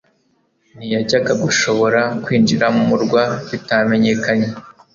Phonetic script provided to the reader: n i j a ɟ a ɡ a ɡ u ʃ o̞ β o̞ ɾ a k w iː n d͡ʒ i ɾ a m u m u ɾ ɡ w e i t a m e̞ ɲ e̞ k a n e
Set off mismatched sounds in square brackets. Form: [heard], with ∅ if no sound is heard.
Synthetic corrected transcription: n i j a ɟ a ɡ a ɡ u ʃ o̞ β o̞ ɾ a k w iː n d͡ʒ i ɾ a m u m u ɾ ɡ w [a] i t a m e̞ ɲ e̞ k a [ɲ] e